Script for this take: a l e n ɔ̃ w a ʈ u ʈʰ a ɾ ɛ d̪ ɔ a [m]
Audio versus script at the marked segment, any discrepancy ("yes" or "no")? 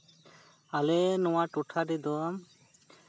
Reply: no